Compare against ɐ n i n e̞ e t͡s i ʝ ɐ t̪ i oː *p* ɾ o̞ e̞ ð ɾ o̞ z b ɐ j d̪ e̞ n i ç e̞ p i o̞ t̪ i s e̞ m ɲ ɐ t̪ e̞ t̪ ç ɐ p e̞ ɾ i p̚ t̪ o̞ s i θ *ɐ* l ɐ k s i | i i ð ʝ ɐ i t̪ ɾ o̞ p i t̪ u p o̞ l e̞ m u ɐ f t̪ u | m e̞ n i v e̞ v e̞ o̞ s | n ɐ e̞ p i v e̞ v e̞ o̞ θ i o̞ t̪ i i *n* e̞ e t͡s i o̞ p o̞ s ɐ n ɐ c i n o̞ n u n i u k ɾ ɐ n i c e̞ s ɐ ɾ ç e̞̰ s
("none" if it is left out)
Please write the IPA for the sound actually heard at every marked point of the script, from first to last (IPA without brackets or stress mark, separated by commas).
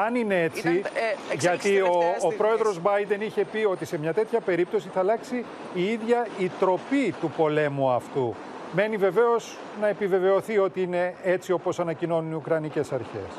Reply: p, ɐ, n